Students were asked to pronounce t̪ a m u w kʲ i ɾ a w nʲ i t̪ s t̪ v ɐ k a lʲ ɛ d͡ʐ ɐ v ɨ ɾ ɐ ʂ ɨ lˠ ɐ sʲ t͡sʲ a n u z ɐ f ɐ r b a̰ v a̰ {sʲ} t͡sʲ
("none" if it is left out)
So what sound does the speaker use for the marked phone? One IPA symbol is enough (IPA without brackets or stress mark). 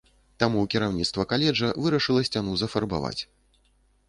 none